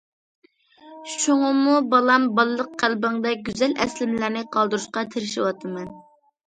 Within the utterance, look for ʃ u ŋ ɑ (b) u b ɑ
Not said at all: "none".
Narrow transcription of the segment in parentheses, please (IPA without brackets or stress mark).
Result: m